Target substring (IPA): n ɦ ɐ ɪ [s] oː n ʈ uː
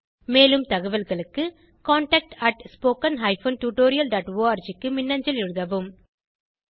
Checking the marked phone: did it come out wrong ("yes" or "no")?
yes